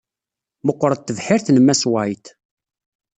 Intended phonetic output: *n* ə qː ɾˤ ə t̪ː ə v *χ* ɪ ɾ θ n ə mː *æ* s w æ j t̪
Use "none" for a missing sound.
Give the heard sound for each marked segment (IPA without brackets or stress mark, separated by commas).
m, ħ, æ